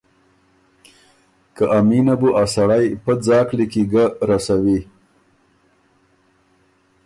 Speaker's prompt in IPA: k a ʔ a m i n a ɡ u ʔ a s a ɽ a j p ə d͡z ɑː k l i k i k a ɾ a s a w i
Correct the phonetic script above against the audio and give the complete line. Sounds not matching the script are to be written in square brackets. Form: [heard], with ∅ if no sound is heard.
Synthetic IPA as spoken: k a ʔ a m i n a [b] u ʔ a s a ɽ a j p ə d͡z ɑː k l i k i [ɡ] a ɾ a s a w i